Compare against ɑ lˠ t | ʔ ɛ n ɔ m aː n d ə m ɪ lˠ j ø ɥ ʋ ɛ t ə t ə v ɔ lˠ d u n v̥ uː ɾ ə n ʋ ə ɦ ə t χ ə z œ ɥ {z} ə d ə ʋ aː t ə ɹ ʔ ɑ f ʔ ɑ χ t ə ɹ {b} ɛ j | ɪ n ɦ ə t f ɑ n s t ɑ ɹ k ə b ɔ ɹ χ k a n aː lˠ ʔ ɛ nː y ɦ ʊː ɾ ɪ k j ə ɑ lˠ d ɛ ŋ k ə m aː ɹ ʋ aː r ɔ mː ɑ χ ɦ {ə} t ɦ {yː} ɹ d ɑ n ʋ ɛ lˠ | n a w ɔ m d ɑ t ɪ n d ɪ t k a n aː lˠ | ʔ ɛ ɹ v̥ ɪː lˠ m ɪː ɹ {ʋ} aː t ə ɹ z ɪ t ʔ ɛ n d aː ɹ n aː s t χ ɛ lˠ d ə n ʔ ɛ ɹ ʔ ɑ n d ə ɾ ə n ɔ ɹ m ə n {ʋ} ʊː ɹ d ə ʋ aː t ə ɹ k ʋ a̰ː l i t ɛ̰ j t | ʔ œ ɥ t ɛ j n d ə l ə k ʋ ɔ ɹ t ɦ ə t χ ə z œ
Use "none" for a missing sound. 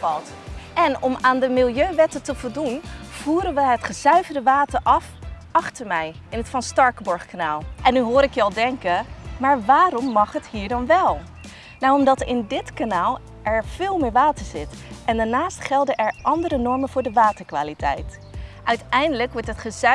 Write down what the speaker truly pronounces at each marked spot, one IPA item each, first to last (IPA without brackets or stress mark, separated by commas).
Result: v, m, ə, iː, ʋ, v